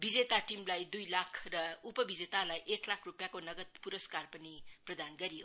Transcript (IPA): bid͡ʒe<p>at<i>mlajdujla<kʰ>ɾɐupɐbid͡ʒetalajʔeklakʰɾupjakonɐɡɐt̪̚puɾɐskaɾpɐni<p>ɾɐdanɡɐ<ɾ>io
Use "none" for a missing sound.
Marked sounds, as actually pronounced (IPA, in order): t, i, kʰ, p, ɾ

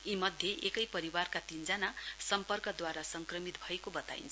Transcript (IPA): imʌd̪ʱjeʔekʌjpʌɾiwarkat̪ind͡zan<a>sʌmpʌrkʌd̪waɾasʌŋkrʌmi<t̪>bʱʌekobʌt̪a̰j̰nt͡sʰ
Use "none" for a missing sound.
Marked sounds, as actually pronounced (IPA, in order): a, t̪

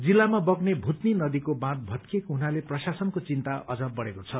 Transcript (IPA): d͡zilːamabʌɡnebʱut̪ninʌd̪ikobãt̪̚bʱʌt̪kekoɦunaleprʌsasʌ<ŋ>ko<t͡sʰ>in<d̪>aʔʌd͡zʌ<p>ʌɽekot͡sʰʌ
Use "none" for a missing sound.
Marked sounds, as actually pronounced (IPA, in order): n, t͡s, t̪, b

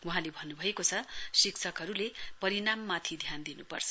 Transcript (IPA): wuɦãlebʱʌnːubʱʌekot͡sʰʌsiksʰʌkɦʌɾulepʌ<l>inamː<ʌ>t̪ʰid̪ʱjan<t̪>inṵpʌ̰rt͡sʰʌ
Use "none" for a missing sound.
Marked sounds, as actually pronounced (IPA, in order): ɾ, a, d̪

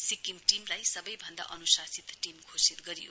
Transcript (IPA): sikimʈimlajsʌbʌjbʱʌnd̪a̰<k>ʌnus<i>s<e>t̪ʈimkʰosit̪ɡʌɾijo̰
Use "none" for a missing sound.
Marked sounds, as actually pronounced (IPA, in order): ʔ, a, i

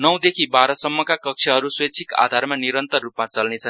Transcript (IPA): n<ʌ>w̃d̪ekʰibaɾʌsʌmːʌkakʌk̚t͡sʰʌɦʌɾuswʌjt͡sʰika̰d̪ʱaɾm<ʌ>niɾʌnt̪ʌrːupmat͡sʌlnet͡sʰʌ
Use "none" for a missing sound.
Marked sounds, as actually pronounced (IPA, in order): ʌ, a

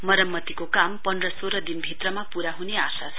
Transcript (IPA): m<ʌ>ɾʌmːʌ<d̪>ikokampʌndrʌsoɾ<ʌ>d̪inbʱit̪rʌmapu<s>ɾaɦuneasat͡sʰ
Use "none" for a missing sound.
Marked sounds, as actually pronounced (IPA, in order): ʌ, t̪, ʌ, none

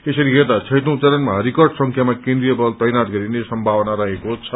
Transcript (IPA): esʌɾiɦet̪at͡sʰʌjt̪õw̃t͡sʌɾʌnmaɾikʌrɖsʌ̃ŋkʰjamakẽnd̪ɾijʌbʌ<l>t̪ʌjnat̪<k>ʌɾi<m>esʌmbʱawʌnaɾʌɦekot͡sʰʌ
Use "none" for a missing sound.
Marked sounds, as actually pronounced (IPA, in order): l, ɡ, n

